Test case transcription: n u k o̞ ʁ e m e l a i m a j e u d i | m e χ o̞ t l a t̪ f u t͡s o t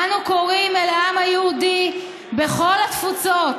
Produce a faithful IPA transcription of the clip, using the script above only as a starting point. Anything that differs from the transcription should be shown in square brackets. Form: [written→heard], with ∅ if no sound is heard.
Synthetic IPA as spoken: n u k o̞ ʁ [e→i] m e l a [i→a] m a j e u d i | [m→b] e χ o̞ [t→∅] l a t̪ f u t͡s o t

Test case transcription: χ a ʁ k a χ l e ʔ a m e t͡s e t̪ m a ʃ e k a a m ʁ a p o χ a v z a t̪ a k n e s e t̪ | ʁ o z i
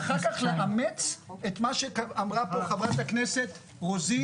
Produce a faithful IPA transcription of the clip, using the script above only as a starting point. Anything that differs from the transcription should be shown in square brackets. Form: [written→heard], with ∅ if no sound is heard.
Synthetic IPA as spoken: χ a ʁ k a χ l e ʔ a m e t͡s e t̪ m a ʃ e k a a m ʁ a p o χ a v [z→ʁ] a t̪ a k n e s e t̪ | ʁ o z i

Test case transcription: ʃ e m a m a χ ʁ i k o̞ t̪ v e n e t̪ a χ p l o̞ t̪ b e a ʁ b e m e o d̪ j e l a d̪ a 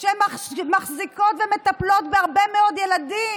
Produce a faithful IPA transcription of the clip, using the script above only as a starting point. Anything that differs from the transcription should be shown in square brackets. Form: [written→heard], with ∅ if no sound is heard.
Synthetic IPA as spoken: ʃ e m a m a χ [ʁ→z] i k o̞ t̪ v e [n→m] e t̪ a [χ→∅] p l o̞ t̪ b e a ʁ b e m e o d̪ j e l a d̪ [a→i]

